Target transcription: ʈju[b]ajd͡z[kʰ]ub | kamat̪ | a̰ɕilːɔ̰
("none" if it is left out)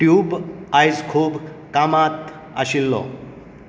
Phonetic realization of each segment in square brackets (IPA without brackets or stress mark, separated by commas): b, kʰ